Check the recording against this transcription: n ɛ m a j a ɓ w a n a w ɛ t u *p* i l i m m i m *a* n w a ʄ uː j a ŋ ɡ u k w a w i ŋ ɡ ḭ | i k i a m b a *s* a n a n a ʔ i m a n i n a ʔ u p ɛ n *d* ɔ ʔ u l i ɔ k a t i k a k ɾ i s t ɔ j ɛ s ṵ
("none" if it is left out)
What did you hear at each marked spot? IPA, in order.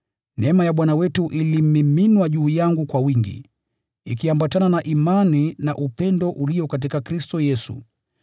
ʔ, i, t, d

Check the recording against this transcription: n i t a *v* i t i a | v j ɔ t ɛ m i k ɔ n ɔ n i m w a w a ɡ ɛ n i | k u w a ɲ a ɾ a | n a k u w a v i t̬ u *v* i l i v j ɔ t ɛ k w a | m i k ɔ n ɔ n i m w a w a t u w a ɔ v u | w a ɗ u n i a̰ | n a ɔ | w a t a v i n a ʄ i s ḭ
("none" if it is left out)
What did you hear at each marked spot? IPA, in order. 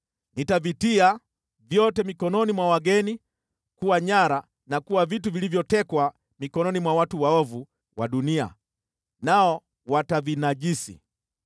v, v

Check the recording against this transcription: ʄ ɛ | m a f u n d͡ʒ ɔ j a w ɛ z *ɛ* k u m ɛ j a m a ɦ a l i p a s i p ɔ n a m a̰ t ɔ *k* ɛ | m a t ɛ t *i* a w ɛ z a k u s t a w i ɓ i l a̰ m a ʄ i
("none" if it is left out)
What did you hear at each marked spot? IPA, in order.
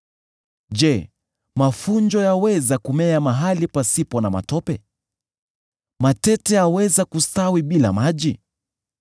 a, p, ɛ

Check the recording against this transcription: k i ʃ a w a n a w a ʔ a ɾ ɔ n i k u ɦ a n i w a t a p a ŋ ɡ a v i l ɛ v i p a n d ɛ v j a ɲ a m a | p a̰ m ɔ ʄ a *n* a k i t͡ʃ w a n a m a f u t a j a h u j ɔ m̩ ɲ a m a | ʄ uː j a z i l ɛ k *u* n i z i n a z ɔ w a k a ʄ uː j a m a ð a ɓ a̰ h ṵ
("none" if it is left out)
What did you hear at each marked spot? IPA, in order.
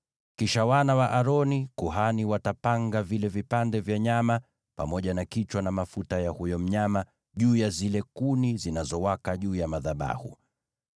n, u

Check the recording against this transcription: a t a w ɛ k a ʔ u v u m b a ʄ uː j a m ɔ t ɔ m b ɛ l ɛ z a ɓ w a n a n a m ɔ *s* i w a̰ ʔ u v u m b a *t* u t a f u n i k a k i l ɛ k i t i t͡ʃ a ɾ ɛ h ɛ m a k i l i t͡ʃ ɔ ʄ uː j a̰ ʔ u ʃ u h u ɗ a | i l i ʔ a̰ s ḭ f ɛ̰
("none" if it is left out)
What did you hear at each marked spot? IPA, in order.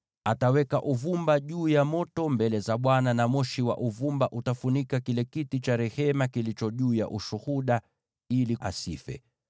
ʃ, ʔ

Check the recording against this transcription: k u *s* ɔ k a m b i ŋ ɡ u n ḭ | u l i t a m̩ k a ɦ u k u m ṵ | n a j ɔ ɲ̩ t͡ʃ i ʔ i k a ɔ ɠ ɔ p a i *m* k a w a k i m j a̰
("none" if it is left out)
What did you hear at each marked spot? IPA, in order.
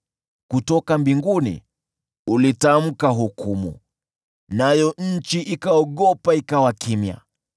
t, none

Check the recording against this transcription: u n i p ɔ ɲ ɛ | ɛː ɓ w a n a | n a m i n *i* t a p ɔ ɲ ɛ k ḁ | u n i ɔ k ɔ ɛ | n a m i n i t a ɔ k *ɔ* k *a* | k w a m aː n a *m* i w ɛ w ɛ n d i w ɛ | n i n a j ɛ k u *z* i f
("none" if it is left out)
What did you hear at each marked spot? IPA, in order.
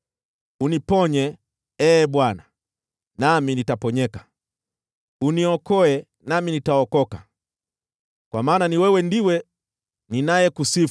i, ɔ, a, n, s

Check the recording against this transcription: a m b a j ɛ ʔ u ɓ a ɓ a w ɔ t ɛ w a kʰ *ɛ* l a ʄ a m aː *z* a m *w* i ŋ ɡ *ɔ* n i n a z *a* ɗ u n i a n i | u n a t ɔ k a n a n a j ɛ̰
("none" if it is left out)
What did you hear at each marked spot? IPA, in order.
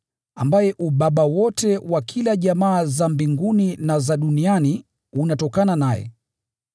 i, z, b, u, a

